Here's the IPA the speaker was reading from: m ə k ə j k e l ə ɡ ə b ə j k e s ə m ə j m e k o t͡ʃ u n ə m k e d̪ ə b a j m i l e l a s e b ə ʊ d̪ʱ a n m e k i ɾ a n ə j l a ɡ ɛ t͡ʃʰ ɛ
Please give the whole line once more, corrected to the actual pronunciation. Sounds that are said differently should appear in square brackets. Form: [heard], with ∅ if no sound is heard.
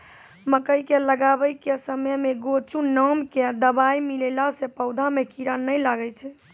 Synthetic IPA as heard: m ə k ə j k e l ə ɡ [a] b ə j k e s ə m ə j m e [ɡ] o t͡ʃ u n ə m k e d̪ ə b a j m i l e l a s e [p] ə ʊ d̪ʱ a [∅] m e k i ɾ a n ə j l a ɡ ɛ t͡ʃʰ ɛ